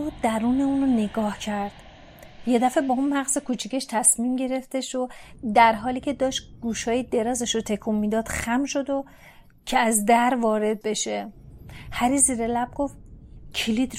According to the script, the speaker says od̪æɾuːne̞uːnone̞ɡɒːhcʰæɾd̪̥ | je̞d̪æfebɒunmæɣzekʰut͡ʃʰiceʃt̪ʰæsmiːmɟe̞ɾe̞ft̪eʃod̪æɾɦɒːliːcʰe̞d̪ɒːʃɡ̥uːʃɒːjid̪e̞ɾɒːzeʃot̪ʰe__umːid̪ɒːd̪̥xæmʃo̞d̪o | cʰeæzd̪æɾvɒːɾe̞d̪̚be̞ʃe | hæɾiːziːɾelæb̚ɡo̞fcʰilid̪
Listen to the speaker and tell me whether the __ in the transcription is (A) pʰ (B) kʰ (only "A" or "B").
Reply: B